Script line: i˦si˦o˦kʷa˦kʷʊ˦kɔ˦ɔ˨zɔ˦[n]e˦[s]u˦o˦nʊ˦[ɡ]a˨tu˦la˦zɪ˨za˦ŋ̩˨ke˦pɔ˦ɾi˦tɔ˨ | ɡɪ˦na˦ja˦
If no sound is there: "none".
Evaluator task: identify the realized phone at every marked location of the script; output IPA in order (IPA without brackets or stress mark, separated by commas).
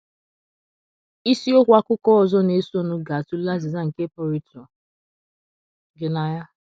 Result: n, s, ɡ